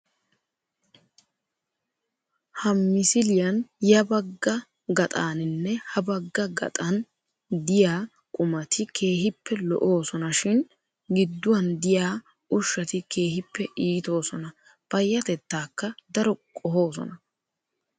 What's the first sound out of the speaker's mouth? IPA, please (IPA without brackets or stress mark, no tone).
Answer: h